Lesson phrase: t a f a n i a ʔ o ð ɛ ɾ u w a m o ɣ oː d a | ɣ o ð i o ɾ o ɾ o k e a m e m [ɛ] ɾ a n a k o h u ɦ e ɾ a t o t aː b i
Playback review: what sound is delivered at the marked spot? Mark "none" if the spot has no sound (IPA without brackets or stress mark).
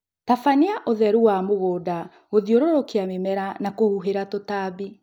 ɛ